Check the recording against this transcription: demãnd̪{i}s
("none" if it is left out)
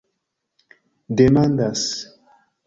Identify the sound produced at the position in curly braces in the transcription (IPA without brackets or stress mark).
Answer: a